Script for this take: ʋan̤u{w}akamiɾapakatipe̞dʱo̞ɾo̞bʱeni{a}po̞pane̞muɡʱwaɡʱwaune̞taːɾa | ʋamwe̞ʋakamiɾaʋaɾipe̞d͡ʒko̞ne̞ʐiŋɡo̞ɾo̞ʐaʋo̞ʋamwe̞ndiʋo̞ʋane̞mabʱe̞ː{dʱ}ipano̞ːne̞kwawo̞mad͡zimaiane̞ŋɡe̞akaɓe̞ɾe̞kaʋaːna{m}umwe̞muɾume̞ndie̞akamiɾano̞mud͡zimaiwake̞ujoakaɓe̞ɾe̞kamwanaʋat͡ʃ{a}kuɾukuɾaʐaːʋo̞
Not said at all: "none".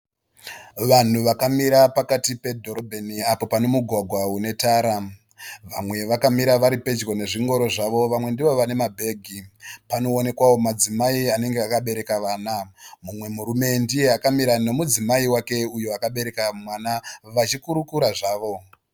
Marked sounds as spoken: ʋ, a, ɡʱ, m, i

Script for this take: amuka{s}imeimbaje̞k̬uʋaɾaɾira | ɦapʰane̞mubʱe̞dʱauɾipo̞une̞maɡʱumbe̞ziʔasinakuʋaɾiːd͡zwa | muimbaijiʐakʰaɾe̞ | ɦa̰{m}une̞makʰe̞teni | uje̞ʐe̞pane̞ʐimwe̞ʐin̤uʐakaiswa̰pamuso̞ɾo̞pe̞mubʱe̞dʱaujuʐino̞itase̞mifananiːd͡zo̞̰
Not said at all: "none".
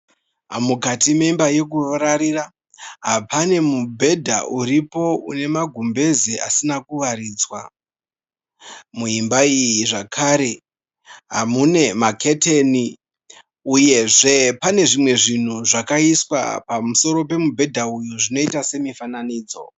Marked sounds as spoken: t, m

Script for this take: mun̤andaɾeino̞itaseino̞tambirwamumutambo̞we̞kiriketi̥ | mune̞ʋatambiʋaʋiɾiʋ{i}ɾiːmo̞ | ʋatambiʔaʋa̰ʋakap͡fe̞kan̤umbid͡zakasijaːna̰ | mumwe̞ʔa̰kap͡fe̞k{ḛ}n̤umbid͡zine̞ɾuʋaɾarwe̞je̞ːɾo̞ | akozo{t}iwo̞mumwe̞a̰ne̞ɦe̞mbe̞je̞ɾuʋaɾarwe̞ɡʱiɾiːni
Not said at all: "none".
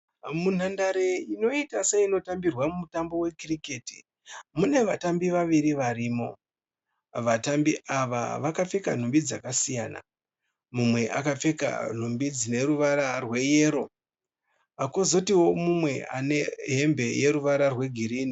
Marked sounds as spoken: a, a̰, t

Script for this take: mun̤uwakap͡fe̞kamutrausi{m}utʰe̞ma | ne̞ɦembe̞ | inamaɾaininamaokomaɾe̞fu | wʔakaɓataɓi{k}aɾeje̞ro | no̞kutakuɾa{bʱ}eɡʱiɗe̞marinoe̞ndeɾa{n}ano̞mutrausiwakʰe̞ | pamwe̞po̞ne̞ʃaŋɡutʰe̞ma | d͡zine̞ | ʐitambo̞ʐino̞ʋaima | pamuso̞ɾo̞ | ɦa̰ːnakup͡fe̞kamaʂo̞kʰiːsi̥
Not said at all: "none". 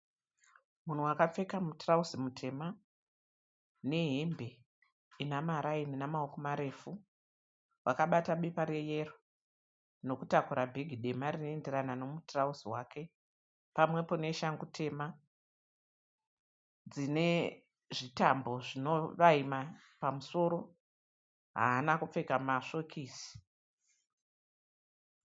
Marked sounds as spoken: m, p, bʱ, n

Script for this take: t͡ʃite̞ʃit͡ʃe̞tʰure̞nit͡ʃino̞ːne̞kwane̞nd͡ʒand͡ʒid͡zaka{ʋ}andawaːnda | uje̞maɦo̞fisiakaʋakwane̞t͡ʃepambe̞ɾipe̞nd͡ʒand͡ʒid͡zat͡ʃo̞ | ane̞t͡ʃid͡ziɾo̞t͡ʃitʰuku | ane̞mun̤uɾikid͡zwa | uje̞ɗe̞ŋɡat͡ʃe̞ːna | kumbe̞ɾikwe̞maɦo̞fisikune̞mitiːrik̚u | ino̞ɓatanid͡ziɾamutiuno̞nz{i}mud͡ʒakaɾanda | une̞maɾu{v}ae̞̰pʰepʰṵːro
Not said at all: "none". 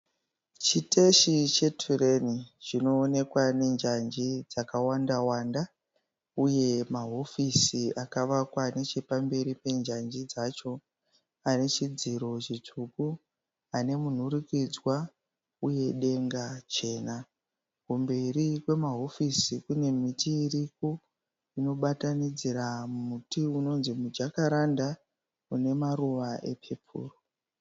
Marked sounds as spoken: w, i, ʋ

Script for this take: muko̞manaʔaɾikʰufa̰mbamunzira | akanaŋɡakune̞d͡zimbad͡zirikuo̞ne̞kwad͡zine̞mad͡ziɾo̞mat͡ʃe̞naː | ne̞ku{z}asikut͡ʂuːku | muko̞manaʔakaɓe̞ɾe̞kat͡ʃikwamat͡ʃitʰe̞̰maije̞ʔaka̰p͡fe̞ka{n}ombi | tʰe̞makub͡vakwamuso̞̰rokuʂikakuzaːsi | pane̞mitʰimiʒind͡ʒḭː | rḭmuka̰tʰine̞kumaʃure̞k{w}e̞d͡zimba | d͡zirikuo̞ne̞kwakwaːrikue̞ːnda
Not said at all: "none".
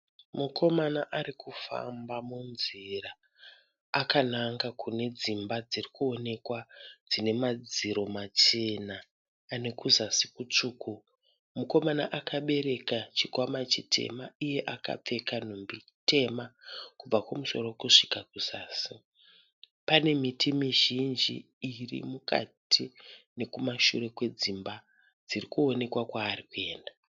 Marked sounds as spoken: z, n, w

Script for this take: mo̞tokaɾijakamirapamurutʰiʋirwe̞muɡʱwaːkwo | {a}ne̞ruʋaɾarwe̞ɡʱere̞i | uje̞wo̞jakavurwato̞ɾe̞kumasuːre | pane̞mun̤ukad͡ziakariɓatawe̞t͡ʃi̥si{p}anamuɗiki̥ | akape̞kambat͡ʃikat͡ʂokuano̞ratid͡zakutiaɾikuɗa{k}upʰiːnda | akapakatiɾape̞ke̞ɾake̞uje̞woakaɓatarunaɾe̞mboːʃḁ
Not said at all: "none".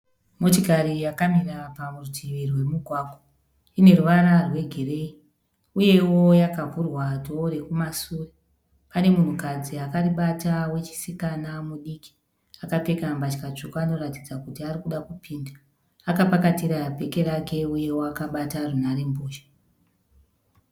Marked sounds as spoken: i, k, k

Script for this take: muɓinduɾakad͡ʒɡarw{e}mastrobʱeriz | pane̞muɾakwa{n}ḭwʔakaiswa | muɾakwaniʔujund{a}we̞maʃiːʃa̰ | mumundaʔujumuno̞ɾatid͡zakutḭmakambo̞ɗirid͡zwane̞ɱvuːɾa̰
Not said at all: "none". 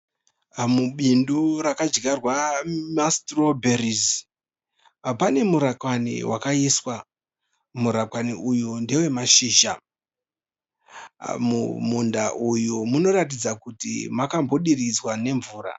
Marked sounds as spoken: a, n, e

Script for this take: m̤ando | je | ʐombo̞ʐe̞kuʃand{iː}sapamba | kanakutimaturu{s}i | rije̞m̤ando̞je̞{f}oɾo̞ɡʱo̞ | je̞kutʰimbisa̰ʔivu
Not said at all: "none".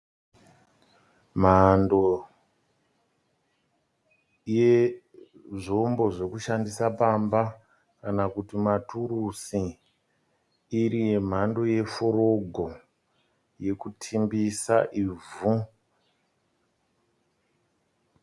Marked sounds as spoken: i, s, f

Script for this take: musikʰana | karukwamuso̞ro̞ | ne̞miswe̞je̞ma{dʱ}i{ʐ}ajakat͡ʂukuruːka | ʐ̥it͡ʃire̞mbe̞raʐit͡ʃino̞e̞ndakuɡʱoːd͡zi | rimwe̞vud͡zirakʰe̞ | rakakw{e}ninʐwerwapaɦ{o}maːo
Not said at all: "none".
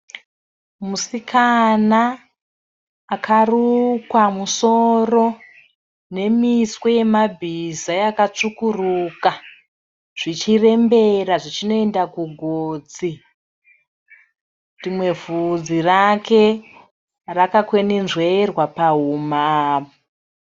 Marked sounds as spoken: bʱ, z, e, u

